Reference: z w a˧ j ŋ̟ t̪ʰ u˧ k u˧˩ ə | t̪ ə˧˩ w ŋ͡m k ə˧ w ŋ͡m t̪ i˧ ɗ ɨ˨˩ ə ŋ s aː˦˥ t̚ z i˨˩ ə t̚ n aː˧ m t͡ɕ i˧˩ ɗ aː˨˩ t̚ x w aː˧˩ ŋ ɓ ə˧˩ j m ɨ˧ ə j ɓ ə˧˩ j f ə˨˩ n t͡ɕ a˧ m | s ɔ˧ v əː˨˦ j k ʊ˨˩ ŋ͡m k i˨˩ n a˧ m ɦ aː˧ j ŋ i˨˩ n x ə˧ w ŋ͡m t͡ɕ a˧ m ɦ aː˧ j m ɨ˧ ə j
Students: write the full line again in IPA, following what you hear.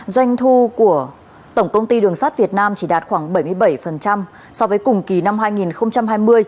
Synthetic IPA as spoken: z w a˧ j ŋ̟ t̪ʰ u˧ k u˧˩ ə | t̪ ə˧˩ w ŋ͡m k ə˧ w ŋ͡m t̪ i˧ ɗ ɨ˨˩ ə ŋ s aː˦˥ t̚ v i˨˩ ə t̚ n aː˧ m t͡ɕ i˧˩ ɗ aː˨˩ t̚ x w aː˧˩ ŋ ɓ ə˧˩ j m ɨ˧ ə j ɓ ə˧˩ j f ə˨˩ n t͡ɕ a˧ m | s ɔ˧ v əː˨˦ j k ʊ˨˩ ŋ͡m k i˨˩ n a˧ m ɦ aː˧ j ŋ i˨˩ n x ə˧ w ŋ͡m t͡ɕ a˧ m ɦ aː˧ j m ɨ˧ ə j